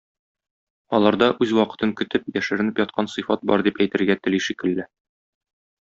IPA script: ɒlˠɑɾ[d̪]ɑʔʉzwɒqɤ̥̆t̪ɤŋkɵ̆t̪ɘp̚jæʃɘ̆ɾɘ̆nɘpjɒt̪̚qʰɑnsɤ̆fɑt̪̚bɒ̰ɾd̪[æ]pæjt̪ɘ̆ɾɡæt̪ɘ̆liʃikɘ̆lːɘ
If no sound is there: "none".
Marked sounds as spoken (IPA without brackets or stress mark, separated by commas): d̪, i